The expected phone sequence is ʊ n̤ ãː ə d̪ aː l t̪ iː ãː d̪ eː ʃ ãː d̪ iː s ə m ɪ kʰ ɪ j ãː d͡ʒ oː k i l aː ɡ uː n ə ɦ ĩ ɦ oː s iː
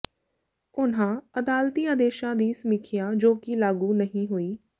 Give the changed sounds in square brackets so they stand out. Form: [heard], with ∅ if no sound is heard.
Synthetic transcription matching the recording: ʊ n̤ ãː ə d̪ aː l t̪ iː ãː d̪ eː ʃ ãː d̪ iː s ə m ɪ kʰ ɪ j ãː d͡ʒ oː k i l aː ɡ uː n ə ɦ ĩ ɦ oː [∅] iː